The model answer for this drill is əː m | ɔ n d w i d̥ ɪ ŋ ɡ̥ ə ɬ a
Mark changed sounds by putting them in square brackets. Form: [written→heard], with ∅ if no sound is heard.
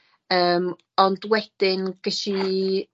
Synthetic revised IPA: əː m | ɔ n d w [i→ɛ] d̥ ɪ [ŋ→n] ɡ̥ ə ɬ [a→i]

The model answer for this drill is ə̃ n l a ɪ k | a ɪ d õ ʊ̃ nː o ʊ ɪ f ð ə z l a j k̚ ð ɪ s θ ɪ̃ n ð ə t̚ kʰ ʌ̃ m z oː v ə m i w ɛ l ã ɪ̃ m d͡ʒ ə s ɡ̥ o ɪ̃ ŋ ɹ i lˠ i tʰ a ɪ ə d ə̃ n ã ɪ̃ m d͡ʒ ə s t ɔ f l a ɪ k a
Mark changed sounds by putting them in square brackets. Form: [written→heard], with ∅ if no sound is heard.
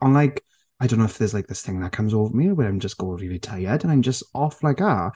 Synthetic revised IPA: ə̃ n l a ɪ k | a ɪ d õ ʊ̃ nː o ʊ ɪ f ð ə z l a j k̚ ð ɪ s θ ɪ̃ [n→ŋ] ð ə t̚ kʰ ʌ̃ m z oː v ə m i w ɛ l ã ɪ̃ m d͡ʒ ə s ɡ̥ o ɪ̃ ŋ ɹ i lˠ i tʰ a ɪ ə d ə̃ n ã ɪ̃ m d͡ʒ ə s t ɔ f l a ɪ k a

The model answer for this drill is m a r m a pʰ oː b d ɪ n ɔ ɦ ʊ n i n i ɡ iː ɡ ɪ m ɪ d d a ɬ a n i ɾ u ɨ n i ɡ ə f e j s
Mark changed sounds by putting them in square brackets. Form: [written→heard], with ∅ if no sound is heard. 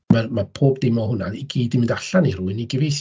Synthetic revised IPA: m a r m a pʰ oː b d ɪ [n→m] ɔ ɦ ʊ n [i→a] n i ɡ iː [ɡ→d] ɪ m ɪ [d→n] d a ɬ a n i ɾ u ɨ n i ɡ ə [f→v] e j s

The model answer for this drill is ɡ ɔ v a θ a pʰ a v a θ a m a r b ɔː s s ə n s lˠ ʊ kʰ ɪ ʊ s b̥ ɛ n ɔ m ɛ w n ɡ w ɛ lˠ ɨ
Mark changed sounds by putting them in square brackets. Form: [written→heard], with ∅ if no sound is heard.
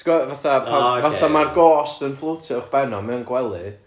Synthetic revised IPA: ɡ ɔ v a θ a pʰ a v a θ a m a r [b→ɡ] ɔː s [s→t] ə n [s→f] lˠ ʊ [kʰ→tʰ] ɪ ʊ [s→χ] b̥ ɛ n ɔ m ɛ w n ɡ w ɛ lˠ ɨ

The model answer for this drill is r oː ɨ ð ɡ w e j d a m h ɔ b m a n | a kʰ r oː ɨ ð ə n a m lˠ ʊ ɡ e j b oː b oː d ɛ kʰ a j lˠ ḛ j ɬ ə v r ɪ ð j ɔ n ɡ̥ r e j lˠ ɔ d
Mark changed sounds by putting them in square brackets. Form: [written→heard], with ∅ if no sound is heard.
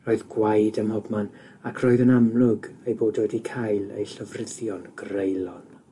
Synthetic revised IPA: r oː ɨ ð ɡ w [e→a] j d [a→ə] m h ɔ b m a n | a kʰ r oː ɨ ð ə n a m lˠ ʊ ɡ e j b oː [b→d] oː d [ɛ→i] kʰ a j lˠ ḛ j ɬ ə v r ɪ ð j ɔ n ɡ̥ r e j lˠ ɔ [d→n]

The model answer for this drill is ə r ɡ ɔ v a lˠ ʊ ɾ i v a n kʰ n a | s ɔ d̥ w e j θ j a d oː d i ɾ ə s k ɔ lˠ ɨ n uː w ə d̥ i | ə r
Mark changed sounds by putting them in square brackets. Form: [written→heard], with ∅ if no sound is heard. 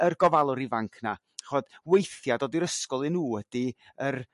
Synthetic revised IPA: ə r ɡ ɔ v a lˠ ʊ ɾ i v a [n→ŋ] kʰ n a | [s→χ] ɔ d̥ w e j θ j a d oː d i ɾ ə s k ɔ lˠ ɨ n uː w ə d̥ i | ə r

